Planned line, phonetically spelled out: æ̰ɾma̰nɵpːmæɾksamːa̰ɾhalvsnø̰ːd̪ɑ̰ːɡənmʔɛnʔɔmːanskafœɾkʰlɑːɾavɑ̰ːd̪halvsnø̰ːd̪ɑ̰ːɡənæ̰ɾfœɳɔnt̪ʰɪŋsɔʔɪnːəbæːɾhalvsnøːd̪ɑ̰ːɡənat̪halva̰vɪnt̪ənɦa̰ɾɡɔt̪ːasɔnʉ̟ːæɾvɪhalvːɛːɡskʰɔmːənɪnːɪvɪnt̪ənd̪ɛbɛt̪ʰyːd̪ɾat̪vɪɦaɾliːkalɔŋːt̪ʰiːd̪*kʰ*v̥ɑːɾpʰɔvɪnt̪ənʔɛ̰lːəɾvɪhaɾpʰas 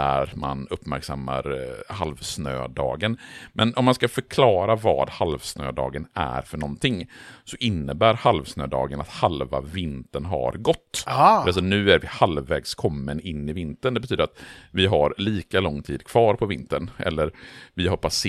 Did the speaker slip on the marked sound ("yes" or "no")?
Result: no